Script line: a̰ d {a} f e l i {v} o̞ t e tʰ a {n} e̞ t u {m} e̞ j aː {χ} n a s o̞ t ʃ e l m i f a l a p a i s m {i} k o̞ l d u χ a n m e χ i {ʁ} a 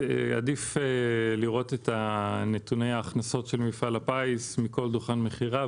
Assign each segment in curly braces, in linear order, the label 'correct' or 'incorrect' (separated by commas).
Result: incorrect, incorrect, correct, incorrect, correct, correct, correct